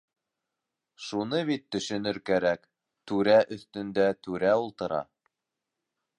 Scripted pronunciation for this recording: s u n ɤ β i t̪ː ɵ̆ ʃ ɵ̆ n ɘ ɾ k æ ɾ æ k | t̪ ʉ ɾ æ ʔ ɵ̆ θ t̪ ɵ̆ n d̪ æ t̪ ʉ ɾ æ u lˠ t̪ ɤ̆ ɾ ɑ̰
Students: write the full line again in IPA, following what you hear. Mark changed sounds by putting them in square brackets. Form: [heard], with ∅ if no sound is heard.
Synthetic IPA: [ʃ] u n ɤ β i t̪ː ɵ̆ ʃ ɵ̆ n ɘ ɾ k æ ɾ æ k | t̪ ʉ ɾ æ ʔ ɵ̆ θ t̪ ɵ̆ n d̪ æ t̪ ʉ ɾ æ u lˠ t̪ ɤ̆ ɾ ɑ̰